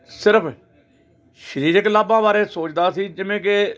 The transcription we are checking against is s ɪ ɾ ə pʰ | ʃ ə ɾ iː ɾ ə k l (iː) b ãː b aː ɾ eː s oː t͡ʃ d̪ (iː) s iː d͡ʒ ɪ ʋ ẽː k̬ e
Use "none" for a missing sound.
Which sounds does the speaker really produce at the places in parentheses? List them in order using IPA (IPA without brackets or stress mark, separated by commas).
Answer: aː, aː